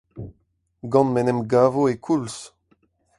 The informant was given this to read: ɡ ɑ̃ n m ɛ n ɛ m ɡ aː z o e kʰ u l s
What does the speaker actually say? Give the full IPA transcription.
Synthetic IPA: ɡ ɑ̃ n m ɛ n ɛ m ɡ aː v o e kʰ u l s